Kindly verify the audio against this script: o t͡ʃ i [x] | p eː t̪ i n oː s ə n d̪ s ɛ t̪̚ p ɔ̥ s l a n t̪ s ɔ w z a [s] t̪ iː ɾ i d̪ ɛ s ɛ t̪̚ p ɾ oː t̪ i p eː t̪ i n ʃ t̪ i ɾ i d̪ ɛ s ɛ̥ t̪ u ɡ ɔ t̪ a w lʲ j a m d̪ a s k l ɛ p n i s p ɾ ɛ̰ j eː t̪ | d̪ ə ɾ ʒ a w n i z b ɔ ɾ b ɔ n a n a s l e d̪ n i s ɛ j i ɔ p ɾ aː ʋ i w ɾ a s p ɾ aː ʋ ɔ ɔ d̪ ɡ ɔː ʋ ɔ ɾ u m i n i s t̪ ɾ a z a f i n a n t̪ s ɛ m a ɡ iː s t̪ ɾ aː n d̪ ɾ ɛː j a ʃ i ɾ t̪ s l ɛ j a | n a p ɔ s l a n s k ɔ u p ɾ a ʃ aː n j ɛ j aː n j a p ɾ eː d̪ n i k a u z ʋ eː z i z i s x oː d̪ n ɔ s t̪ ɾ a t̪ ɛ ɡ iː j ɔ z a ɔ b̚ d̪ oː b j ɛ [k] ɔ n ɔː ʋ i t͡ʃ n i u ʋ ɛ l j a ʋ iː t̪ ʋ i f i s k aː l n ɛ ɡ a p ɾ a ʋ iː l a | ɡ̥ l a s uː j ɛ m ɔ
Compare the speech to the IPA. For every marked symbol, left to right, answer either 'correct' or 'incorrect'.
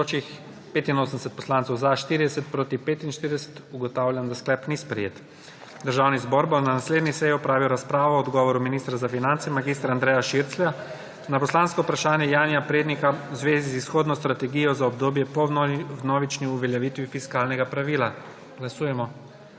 correct, incorrect, incorrect

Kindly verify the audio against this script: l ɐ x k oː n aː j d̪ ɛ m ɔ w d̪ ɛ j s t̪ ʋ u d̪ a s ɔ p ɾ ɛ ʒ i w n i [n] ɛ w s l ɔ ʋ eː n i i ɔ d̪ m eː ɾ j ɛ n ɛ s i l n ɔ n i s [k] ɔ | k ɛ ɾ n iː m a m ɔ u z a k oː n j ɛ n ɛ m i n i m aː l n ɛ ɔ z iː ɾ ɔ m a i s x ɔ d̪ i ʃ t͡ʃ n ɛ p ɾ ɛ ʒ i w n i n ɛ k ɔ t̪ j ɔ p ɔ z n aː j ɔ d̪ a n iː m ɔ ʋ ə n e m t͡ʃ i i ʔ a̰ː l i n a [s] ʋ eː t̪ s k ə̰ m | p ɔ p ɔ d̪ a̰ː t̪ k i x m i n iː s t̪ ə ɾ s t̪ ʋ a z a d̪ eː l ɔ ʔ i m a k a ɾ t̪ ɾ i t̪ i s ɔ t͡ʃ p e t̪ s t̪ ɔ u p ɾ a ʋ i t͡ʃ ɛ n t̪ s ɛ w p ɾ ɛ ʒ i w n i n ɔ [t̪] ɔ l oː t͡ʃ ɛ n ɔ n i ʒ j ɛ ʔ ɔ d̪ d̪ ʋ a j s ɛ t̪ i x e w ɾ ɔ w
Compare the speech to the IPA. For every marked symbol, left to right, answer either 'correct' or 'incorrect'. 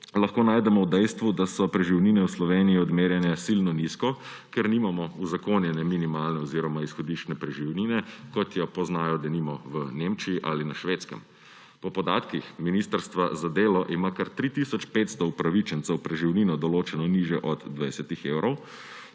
correct, correct, incorrect, incorrect

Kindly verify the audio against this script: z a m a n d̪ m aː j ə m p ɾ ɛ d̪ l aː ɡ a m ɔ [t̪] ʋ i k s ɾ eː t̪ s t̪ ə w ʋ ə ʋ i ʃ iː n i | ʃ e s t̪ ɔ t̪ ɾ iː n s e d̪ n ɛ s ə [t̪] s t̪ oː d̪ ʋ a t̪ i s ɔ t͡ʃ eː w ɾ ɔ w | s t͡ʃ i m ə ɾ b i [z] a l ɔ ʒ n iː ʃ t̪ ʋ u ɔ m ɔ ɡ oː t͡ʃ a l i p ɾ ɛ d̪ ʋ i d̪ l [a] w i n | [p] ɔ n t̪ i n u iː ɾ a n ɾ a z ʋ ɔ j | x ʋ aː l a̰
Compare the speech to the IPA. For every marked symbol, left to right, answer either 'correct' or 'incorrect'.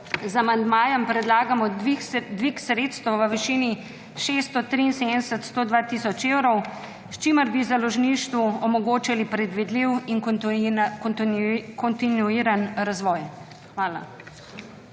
incorrect, correct, correct, incorrect, incorrect

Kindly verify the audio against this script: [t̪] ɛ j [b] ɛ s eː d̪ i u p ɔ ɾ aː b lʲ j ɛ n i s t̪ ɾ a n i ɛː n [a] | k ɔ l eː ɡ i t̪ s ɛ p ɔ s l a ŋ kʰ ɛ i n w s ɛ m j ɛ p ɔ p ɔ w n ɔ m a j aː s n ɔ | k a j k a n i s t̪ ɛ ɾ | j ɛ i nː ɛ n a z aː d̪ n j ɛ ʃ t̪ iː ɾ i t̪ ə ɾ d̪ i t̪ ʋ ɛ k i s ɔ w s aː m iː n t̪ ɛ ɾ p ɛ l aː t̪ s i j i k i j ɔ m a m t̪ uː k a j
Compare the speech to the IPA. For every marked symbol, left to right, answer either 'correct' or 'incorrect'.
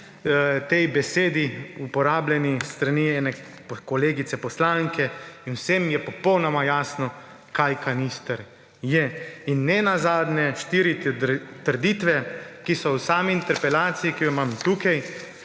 correct, correct, incorrect

